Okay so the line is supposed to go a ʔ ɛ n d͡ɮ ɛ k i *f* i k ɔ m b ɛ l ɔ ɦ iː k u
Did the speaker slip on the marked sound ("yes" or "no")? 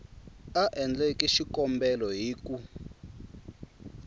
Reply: yes